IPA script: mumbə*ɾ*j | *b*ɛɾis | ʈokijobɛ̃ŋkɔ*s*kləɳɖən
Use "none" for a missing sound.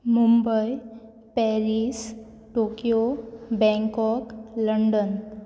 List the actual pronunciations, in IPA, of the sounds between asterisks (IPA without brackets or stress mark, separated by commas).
none, p, none